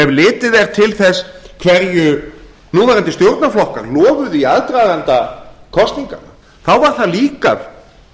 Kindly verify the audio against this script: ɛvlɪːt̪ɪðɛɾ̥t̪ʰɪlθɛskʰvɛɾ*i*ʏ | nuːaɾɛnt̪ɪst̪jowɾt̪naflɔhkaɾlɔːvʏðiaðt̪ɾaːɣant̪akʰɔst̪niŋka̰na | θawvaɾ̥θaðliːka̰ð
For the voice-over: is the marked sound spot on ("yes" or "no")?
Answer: no